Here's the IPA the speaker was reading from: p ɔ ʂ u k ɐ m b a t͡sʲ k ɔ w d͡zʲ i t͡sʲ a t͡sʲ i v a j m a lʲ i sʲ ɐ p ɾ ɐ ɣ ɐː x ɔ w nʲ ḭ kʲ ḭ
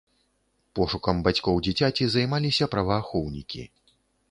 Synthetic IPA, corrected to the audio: p ɔ ʂ u k ɐ m b a t͡sʲ k ɔ w d͡zʲ i t͡sʲ a t͡sʲ i z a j m a lʲ i sʲ ɐ p ɾ ɐ v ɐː x ɔ w nʲ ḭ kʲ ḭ